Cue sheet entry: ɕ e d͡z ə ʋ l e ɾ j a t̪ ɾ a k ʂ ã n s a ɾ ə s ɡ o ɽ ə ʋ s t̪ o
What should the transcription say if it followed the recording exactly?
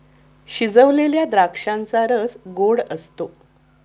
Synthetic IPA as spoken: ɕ i d͡z ə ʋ l e l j a d̪ ɾ a k ʂ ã n t͡s a ɾ ə s ɡ o ɽ ə s t̪ o